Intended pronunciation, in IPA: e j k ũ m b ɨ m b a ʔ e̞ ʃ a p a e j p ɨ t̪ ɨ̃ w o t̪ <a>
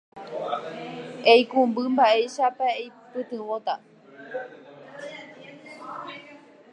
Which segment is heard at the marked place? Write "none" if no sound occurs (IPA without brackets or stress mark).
a